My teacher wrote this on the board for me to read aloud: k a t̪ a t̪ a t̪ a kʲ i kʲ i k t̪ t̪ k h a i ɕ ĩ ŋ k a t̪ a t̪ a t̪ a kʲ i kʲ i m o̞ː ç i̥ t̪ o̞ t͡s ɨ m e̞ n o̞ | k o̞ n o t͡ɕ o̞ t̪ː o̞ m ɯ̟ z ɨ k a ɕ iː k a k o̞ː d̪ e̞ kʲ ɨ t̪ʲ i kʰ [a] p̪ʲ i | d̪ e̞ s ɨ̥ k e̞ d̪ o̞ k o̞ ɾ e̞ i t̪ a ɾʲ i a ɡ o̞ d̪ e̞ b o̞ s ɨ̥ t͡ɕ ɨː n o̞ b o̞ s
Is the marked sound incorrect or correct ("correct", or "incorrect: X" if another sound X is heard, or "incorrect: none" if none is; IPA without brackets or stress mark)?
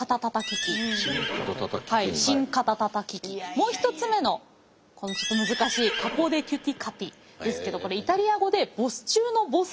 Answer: correct